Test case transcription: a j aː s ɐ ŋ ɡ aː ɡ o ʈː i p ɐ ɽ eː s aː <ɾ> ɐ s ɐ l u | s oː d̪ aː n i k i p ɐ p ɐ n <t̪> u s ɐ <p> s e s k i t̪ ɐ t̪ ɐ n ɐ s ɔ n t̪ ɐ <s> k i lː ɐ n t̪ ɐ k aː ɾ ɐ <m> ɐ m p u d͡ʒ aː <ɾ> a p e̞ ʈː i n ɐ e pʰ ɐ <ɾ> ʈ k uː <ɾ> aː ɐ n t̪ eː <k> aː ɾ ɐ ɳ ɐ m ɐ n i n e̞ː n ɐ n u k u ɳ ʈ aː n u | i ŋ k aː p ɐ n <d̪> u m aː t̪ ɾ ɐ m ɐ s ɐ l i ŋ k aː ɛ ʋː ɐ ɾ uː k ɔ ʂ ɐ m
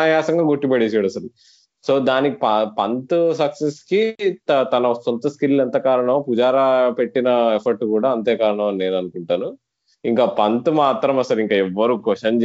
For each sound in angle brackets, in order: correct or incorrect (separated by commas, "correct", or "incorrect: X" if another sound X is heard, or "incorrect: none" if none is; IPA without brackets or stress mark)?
incorrect: ɽ, correct, incorrect: k, correct, incorrect: ɳ, correct, correct, incorrect: ɽ, correct, incorrect: t̪